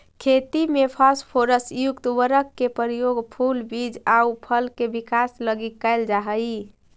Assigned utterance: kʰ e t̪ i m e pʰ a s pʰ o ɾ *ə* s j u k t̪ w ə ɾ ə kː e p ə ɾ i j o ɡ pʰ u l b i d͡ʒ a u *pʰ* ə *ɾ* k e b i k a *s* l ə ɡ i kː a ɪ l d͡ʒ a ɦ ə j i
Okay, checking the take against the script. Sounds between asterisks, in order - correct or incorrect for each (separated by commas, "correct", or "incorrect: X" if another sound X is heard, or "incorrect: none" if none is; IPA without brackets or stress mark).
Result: correct, correct, incorrect: l, correct